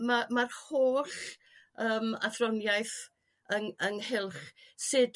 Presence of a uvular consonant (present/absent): present